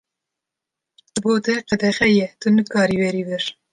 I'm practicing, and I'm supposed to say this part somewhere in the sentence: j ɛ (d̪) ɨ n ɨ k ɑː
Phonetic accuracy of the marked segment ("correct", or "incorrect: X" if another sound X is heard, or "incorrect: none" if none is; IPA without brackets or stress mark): incorrect: t̪